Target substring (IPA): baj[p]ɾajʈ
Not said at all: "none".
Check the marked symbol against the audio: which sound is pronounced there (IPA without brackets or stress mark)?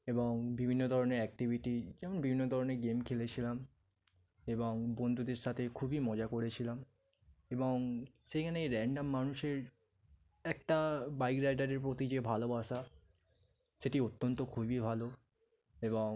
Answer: k